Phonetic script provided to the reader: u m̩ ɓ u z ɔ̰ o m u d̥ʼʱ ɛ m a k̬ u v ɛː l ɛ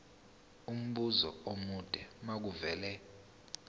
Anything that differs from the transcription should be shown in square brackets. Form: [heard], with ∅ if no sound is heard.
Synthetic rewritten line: u m̩ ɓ u z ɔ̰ o m u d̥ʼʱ ɛ m a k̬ u v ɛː l ɛ